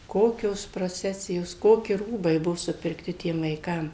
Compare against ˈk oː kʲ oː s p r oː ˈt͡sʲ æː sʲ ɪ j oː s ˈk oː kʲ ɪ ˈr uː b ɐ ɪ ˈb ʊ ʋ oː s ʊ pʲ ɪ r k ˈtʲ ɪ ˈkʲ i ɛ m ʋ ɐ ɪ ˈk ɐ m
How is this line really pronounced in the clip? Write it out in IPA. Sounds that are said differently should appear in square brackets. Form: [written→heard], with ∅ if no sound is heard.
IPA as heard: ˈk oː kʲ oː s p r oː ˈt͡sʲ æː sʲ ɪ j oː s ˈk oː kʲ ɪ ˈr uː b ɐ ɪ ˈb ʊ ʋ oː s ʊ pʲ ɪ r k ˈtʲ ɪ [ˈkʲ→ˈtʲ] i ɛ m ʋ ɐ ɪ ˈk ɐ m